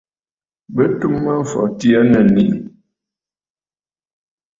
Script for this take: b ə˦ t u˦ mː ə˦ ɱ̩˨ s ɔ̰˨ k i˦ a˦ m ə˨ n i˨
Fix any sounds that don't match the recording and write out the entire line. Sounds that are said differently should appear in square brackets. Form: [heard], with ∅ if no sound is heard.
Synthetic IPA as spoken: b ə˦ t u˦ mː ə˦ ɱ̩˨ [f] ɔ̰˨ [t] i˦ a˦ [n] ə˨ n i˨

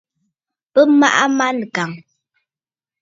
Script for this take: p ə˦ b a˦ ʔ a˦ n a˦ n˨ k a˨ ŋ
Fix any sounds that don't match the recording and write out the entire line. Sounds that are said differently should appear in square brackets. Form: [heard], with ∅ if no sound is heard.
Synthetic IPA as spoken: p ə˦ [m] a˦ ʔ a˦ [m] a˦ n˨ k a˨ ŋ

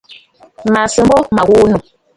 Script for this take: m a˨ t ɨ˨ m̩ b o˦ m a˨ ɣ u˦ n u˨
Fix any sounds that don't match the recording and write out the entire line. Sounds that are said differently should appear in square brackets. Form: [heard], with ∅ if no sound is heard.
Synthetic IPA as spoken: m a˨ [s] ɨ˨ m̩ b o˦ m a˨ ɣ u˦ n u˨

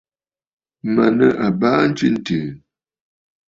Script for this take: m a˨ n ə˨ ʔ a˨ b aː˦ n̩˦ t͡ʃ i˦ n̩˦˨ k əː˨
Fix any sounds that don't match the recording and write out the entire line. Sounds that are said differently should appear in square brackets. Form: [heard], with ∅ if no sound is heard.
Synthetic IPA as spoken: m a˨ n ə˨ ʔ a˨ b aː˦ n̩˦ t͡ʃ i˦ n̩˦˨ [t] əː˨

